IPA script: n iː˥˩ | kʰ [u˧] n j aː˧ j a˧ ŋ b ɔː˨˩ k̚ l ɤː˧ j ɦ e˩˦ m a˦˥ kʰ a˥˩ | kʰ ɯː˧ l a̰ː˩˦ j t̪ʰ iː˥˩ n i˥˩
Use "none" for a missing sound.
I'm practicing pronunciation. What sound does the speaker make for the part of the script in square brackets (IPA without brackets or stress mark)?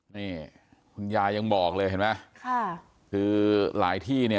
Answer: u˧